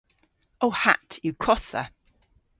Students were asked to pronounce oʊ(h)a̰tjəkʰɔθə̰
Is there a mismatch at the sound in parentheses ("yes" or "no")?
no